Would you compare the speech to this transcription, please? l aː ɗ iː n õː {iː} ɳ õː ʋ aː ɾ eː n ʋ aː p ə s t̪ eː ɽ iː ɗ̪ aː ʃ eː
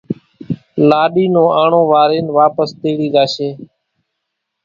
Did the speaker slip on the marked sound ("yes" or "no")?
yes